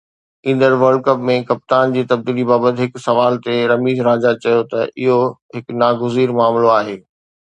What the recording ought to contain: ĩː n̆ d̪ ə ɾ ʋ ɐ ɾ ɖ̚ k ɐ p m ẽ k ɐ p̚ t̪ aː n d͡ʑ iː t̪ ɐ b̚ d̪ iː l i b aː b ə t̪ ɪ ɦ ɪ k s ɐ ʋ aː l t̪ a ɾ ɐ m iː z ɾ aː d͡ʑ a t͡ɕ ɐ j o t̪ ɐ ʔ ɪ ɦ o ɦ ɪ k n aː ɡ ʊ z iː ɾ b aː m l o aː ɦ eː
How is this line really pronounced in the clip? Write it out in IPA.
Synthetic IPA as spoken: ĩː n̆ d̪ ə ɾ ʋ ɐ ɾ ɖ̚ k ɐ p m ẽ k ɐ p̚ t̪ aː n d͡ʑ iː t̪ ɐ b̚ d̪ iː l i b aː b ə t̪ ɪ ɦ ɪ k s ɐ ʋ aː l t̪ e ɾ ɐ m iː z ɾ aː d͡ʑ a t͡ɕ ɐ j o t̪ ɐ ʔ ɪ ɦ o ɦ ɪ k n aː ɡ ʊ z iː ɾ m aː m l o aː ɦ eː